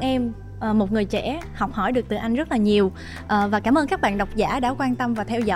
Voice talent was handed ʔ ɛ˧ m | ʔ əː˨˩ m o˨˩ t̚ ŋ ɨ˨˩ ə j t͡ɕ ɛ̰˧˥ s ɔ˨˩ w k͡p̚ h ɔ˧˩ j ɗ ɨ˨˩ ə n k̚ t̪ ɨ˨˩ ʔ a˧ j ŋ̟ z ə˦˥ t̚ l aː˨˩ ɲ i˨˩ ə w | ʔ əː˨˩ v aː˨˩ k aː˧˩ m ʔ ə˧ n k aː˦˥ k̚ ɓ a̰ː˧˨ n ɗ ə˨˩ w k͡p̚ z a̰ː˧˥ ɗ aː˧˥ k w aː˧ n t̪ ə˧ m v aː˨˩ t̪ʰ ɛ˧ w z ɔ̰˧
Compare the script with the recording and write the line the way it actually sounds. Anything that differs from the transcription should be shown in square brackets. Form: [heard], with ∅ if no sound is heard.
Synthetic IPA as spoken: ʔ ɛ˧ m | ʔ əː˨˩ m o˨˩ t̚ ŋ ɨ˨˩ ə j t͡ɕ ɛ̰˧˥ [h] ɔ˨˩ w k͡p̚ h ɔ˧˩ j ɗ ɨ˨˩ ə [∅] k̚ t̪ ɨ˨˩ ʔ a˧ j ŋ̟ z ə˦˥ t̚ l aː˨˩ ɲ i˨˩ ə w | ʔ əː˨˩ v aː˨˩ k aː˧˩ m ʔ [əː˧] n k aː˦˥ k̚ ɓ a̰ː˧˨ n ɗ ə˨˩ w k͡p̚ z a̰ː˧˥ ɗ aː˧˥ k w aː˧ n t̪ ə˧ m v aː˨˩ t̪ʰ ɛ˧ w z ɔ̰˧